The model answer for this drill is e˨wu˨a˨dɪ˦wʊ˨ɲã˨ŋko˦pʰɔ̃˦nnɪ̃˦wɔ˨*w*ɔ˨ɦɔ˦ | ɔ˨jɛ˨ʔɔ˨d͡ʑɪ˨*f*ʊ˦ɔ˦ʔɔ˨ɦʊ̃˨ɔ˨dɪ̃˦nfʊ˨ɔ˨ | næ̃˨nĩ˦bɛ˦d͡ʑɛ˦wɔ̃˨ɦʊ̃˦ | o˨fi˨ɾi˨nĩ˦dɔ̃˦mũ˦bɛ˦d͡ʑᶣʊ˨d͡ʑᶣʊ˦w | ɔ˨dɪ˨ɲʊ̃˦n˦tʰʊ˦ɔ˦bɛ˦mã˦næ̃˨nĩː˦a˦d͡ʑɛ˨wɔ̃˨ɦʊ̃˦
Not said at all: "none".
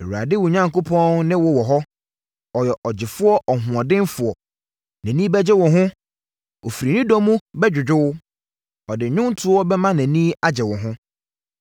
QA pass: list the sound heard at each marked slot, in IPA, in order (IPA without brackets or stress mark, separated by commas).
w, f